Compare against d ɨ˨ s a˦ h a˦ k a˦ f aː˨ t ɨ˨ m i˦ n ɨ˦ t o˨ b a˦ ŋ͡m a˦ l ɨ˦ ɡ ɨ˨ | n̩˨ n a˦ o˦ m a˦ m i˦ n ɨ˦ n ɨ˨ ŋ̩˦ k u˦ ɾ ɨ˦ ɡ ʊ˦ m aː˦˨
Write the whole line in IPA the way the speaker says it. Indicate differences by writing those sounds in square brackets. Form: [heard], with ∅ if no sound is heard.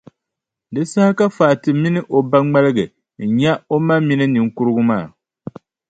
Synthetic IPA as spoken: d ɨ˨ s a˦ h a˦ k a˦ f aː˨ t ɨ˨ m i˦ n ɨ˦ [ʔ] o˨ b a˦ ŋ͡m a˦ l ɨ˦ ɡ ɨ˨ | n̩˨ [ɲ] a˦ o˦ m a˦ m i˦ n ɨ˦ n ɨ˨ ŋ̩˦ k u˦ ɾ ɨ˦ ɡ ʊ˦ m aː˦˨